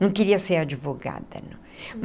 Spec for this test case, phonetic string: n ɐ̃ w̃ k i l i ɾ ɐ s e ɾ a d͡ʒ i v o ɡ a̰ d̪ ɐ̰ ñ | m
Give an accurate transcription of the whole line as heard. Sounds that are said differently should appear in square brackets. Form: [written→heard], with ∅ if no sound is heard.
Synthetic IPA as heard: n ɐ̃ w̃ k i [l→ɾ] i [ɾ→∅] ɐ s e ɾ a d͡ʒ i v o ɡ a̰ d̪ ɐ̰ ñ | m